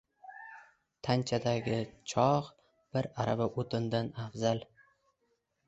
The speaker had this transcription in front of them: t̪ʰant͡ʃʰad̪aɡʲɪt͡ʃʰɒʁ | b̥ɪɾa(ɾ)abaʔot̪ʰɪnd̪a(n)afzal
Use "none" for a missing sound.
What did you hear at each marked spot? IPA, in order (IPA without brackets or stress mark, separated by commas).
ɾ, n